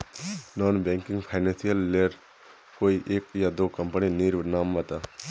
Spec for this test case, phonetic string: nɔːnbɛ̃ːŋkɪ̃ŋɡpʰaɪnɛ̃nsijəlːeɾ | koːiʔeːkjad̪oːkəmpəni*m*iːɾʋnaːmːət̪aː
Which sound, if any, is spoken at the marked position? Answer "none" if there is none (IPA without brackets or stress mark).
n